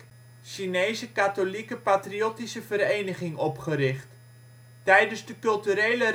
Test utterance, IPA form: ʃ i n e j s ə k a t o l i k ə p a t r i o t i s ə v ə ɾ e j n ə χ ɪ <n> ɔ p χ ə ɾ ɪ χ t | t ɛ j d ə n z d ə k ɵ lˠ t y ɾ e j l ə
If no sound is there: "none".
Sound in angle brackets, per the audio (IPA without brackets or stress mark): ŋ